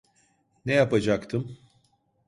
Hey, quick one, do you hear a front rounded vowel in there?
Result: no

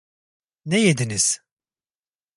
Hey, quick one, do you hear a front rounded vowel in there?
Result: no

